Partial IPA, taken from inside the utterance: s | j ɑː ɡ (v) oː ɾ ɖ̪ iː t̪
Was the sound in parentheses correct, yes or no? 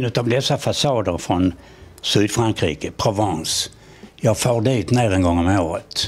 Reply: no